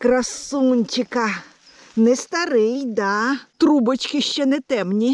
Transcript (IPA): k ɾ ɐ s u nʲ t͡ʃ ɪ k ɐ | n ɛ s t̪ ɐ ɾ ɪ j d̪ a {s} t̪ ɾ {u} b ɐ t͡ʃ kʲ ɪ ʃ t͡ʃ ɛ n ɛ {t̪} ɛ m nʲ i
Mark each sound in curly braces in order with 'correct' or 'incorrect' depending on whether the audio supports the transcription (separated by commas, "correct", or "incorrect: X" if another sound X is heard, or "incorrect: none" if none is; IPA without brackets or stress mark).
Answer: incorrect: none, correct, correct